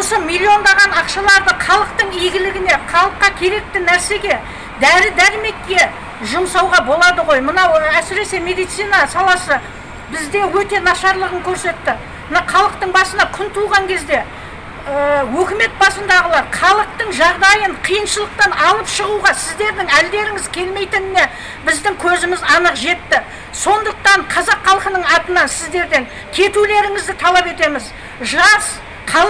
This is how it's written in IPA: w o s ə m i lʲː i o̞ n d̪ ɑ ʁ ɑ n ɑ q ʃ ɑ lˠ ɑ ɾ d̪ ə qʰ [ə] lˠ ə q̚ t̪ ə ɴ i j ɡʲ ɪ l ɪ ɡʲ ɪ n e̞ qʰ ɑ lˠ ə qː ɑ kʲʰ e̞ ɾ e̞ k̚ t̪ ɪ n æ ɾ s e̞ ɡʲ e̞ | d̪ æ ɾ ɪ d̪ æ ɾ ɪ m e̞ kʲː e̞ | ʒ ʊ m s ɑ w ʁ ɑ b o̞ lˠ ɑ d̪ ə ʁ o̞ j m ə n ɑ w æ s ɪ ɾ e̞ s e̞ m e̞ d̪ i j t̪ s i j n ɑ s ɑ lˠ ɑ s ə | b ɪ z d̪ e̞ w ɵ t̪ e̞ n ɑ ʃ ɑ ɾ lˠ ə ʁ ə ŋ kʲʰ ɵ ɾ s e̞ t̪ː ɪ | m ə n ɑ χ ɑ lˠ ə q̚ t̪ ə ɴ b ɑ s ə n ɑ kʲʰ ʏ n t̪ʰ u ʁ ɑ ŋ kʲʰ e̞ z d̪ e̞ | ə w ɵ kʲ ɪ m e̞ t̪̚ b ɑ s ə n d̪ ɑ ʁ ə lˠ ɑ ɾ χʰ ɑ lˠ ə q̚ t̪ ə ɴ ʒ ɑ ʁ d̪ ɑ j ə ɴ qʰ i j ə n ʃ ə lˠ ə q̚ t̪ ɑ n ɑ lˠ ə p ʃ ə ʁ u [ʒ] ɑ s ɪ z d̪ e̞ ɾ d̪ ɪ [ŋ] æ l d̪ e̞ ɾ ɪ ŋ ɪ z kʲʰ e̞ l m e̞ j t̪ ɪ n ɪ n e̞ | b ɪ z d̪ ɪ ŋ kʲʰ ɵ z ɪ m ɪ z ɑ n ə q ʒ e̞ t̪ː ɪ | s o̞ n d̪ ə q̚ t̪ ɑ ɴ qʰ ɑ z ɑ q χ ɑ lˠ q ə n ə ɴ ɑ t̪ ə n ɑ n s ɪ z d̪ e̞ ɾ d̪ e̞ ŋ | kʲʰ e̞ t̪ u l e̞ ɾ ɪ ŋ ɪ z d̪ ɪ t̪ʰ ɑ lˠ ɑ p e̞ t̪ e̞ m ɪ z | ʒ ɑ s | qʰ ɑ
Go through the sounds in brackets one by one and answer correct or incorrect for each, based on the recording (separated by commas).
incorrect, incorrect, correct